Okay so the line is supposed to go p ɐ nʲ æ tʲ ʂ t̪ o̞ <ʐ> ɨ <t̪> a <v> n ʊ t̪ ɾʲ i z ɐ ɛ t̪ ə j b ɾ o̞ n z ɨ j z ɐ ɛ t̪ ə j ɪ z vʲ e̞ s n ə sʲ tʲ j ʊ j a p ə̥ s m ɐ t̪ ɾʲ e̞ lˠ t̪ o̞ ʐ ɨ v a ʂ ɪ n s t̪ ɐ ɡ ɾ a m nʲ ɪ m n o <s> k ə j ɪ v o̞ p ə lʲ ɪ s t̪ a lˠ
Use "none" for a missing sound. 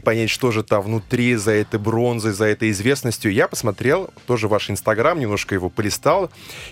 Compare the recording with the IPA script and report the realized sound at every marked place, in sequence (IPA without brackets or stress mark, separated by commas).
ʐ, t̪, v, ʂ